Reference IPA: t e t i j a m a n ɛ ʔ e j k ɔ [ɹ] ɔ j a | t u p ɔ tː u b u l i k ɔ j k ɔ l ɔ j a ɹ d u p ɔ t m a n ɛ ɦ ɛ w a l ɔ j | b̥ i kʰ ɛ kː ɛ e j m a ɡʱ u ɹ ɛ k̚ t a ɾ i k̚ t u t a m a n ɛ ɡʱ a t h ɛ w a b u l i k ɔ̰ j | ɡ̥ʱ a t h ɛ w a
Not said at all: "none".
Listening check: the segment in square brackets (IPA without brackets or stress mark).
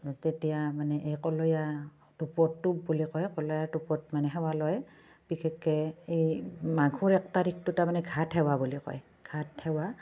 l